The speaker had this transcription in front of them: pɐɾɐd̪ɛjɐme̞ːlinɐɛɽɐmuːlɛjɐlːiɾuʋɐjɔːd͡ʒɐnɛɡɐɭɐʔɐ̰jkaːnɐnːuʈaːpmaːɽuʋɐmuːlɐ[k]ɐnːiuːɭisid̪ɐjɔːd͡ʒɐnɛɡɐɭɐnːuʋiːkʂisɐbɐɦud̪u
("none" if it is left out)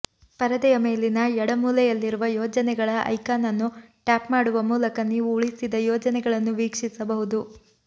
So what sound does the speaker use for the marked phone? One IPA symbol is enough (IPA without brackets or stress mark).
k